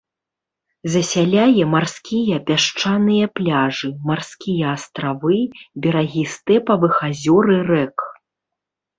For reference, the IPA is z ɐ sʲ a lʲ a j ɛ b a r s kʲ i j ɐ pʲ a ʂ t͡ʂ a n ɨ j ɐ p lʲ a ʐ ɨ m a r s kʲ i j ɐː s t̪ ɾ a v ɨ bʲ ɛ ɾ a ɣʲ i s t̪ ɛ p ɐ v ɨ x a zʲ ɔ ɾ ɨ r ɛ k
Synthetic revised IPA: z ɐ sʲ a lʲ a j ɛ m a r s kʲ i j ɐ pʲ a ʂ t͡ʂ a n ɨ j ɐ p lʲ a ʐ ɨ m a r s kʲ i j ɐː s t̪ ɾ a v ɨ bʲ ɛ ɾ a ɣʲ i s t̪ ɛ p ɐ v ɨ x a zʲ ɔ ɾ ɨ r ɛ k